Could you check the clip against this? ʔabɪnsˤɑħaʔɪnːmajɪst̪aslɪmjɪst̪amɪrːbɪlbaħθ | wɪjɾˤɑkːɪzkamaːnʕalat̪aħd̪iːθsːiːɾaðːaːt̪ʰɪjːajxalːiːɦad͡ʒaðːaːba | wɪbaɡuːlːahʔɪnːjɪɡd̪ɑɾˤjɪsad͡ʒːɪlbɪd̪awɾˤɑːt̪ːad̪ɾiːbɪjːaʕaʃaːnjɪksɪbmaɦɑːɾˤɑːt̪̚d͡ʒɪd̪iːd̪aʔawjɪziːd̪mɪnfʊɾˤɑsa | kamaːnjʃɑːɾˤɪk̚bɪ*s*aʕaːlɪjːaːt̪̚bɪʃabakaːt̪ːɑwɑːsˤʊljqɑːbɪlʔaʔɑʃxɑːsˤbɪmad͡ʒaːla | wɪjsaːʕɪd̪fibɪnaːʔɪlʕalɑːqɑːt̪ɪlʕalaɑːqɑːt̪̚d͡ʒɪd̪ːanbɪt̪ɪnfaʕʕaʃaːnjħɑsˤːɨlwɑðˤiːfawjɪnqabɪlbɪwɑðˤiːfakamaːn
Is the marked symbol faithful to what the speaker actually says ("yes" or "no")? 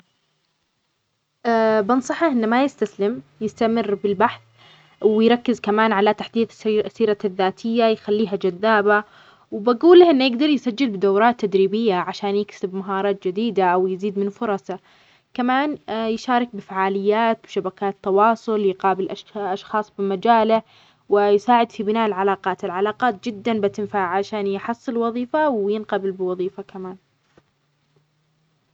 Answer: no